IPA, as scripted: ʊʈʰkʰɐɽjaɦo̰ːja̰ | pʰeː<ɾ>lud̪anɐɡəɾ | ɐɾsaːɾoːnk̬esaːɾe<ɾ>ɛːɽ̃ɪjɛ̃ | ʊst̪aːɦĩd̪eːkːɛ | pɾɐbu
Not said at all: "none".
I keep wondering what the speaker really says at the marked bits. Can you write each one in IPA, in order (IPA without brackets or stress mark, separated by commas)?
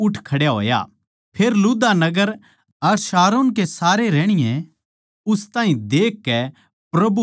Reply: ɾ, ɾ